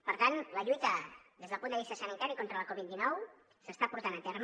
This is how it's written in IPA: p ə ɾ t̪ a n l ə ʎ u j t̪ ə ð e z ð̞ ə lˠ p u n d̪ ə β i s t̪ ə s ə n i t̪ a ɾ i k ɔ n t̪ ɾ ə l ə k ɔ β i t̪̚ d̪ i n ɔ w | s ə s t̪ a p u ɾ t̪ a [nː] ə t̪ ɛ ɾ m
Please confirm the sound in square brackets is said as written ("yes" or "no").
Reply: no